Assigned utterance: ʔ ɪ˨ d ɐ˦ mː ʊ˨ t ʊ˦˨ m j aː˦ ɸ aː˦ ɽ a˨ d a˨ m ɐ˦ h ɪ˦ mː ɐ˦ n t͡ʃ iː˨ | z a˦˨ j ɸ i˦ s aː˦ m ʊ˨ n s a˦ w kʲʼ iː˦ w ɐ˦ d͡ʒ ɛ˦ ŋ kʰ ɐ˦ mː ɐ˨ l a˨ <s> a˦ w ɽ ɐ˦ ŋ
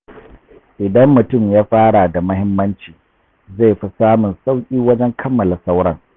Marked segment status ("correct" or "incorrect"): correct